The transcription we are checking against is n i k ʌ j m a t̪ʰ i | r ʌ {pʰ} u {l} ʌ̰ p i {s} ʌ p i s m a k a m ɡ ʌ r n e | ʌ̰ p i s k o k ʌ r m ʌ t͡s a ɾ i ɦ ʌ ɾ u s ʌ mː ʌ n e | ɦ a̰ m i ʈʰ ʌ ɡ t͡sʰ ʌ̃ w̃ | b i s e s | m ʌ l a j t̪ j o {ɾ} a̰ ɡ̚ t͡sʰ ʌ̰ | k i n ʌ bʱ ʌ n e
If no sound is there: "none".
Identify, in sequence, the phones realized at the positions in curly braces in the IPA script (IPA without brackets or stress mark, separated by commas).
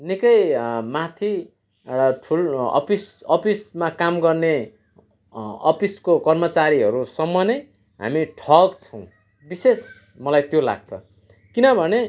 ʈʰ, l, s, l